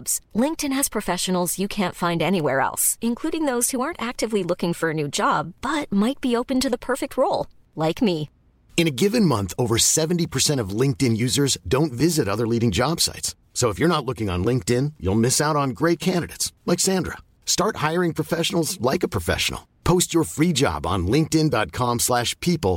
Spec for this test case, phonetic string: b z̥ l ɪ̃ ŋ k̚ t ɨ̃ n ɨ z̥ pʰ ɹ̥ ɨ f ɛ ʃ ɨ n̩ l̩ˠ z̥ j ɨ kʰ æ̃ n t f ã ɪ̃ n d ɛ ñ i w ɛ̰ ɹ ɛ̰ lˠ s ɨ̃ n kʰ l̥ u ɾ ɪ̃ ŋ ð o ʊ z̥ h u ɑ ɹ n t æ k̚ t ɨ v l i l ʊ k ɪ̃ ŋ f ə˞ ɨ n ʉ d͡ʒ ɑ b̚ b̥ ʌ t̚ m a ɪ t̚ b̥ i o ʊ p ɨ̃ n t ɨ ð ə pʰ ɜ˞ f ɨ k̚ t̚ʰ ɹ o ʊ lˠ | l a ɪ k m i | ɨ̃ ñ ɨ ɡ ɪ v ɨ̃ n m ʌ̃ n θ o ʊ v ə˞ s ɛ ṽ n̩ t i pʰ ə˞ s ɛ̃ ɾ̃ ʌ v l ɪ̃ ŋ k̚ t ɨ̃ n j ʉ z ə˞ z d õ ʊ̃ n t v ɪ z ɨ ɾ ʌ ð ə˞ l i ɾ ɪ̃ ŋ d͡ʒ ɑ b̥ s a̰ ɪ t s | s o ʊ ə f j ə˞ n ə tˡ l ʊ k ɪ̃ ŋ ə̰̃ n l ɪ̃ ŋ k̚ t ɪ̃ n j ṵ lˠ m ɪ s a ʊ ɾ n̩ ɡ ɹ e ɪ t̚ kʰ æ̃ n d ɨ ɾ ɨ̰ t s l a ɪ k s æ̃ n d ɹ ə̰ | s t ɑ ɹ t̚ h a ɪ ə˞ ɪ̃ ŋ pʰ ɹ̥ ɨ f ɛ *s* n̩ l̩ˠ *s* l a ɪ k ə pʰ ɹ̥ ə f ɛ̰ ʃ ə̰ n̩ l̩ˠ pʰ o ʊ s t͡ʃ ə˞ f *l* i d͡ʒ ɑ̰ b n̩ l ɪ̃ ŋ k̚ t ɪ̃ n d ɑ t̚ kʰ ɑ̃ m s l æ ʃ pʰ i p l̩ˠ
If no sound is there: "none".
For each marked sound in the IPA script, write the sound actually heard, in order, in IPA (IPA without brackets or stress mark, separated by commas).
ʃ, z, ɹ